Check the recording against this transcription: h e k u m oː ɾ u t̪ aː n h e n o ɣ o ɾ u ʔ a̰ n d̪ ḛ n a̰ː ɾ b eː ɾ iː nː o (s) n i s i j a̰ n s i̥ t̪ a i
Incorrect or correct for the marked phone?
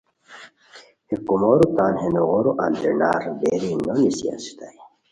incorrect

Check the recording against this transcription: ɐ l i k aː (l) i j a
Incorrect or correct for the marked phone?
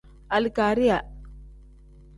incorrect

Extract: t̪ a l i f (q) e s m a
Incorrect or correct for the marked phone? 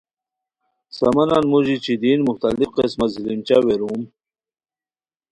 correct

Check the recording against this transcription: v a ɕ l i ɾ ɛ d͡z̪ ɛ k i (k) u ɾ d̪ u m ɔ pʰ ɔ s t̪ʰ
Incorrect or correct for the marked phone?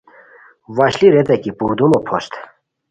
incorrect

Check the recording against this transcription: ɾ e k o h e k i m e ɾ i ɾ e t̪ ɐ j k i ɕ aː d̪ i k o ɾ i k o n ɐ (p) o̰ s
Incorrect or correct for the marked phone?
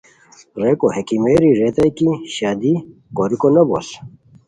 incorrect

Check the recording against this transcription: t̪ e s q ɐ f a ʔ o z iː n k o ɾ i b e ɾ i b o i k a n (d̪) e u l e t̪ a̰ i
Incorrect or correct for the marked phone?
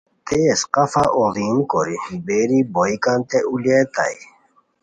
incorrect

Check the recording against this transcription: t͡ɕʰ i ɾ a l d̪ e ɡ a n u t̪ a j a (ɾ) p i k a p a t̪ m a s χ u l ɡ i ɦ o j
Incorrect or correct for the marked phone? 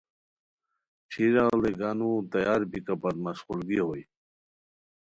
correct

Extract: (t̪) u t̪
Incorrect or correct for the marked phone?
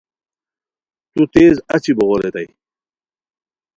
correct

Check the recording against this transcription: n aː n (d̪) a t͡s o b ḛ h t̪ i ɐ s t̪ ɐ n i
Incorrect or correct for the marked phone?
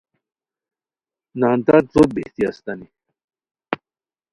incorrect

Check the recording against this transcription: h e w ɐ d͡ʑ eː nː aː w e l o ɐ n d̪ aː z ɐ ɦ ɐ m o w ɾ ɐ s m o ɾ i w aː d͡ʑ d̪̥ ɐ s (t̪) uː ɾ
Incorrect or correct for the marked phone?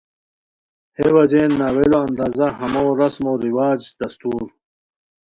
correct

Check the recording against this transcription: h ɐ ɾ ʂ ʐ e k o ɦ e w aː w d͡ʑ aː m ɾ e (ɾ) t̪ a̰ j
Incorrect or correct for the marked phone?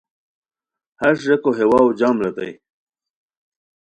incorrect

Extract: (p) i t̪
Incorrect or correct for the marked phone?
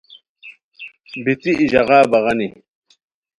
incorrect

